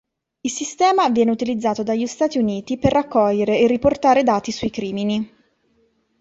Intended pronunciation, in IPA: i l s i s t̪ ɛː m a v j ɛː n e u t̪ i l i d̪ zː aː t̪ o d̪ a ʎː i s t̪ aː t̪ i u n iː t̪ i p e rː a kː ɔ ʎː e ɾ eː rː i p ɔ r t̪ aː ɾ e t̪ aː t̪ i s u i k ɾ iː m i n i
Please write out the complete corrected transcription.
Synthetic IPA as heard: i l s i s t̪ ɛː m a v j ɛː n e u t̪ i l i d̪ zː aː t̪ o d̪ a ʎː i s t̪ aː t̪ i u n iː t̪ i p e rː a kː ɔ ʎː e ɾ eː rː i p o r t̪ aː ɾ e d̪ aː t̪ i s u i k ɾ iː m i n i